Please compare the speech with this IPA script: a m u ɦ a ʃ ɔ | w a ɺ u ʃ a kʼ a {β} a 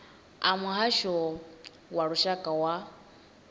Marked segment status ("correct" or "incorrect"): incorrect